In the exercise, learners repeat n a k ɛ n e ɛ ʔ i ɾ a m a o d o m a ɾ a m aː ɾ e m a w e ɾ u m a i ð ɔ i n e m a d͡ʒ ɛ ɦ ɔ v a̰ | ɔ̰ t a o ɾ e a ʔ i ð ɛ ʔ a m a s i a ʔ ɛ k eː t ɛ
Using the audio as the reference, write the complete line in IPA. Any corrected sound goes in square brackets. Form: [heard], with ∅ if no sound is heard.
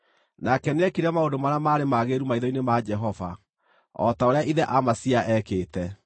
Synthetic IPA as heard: n a k ɛ n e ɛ [k] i ɾ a m a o d o m a ɾ a m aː ɾ e m a [ɣ] e ɾ u m a i ð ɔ i n e m a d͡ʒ ɛ ɦ ɔ v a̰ | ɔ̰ t a o ɾ e a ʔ i ð ɛ ʔ a m a s i a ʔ ɛ k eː t ɛ